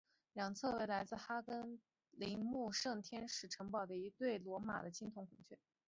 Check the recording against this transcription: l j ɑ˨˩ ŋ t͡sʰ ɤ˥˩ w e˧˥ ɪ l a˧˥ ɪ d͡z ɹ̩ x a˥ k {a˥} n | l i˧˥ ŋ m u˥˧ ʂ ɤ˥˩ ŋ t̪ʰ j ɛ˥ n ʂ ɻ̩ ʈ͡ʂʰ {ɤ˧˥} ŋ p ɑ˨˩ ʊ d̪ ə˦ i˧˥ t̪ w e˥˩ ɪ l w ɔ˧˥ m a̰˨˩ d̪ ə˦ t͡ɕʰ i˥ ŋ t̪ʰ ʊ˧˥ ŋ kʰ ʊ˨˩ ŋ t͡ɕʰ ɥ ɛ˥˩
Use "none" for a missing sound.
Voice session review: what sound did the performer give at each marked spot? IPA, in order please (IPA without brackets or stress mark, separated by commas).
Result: ə˥, ɤ˧˥